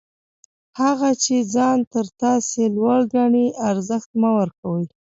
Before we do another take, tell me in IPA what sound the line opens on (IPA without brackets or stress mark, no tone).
h